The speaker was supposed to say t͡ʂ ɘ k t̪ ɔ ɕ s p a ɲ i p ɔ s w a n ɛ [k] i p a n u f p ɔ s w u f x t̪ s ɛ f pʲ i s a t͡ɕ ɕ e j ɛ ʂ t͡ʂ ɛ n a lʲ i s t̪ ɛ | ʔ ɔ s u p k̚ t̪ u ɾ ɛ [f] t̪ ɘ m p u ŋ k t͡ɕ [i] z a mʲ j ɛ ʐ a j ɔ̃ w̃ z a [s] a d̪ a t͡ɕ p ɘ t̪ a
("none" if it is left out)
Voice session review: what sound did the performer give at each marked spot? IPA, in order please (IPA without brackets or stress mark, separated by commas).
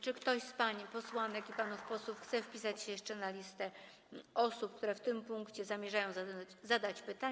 k, f, ɛ, z